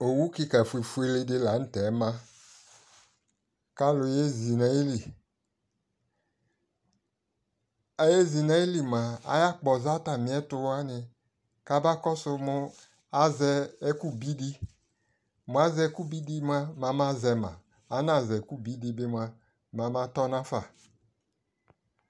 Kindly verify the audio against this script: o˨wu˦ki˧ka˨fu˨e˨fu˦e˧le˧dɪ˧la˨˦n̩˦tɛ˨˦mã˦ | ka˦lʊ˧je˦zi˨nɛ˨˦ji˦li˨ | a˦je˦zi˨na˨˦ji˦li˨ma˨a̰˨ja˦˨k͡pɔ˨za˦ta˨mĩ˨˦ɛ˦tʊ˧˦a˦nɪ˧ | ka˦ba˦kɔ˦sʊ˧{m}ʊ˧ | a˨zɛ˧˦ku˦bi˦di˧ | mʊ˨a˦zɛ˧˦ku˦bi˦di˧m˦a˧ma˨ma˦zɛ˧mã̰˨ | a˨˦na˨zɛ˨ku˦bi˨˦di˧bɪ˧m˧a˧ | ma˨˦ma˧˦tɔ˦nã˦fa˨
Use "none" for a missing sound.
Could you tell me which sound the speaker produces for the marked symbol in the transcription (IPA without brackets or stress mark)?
m